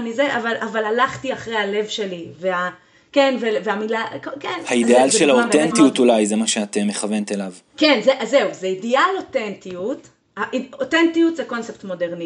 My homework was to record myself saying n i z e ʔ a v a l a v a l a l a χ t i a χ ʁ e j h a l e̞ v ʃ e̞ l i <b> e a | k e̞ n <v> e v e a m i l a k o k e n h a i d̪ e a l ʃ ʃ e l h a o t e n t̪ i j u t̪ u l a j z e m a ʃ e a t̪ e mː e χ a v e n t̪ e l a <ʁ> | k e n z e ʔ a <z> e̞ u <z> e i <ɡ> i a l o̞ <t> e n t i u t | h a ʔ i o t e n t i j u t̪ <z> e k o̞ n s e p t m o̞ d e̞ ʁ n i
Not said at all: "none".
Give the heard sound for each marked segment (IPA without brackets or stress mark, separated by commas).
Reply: v, v, v, z, z, d, t, z